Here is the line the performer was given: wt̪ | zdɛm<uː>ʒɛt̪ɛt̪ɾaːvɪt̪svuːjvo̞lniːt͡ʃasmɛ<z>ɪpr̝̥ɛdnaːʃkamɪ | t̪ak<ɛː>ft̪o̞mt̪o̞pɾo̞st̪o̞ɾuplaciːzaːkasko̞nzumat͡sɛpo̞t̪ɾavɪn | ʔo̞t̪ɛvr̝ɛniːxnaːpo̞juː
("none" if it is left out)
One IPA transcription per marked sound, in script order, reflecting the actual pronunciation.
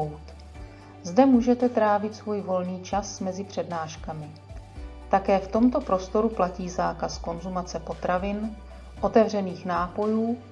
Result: uː, z, ɛː

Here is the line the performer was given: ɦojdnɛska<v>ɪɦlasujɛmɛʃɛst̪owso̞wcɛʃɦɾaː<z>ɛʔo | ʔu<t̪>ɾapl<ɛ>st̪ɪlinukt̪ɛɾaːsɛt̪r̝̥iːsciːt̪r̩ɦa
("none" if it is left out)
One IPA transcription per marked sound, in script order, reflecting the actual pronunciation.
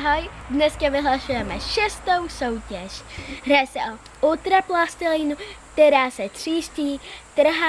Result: v, s, t̪, a

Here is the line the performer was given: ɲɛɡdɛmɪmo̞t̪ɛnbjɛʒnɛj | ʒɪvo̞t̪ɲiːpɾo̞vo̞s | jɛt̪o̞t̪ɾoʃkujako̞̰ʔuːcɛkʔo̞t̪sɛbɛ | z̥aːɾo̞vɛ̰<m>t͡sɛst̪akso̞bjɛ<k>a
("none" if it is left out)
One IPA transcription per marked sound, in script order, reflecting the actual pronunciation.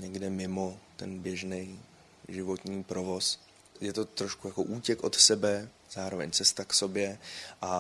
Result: ɲ, ʔ

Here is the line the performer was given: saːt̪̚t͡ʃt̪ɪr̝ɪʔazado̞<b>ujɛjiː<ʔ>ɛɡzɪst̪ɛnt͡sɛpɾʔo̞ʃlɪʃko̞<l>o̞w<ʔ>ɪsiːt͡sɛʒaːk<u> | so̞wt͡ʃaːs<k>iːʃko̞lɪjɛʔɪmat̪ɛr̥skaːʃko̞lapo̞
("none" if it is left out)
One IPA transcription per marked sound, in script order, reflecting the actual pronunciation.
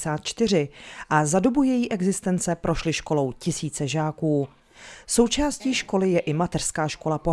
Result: b, ʔ, l, c, uː, c

